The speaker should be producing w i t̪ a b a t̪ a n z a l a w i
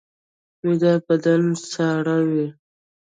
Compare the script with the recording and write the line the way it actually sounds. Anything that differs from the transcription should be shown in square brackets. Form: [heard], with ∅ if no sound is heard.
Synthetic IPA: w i [d̪] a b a [d̪] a n [s] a [ɽ] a w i